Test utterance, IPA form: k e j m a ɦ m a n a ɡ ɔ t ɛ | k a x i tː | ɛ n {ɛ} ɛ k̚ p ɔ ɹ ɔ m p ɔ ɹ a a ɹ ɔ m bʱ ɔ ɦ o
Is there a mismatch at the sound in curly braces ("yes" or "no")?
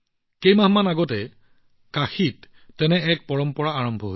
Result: no